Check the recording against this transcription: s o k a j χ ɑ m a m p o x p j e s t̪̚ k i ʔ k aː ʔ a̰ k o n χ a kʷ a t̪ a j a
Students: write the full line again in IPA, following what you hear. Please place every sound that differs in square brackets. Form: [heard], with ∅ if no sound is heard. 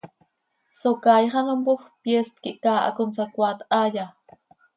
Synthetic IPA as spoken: s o k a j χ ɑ [n] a m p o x p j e s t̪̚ k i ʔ k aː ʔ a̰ k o n [s] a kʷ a t̪ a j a

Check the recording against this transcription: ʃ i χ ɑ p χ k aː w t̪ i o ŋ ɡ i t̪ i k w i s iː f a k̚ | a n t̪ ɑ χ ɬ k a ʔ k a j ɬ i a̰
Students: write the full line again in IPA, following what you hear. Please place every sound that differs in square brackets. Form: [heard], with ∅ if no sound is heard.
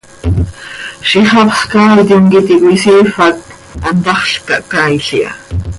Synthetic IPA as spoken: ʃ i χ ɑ p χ k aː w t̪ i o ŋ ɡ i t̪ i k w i s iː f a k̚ | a n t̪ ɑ χ ɬ k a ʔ k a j ɬ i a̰

